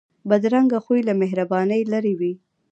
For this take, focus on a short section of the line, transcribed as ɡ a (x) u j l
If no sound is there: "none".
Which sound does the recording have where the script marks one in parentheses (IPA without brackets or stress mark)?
x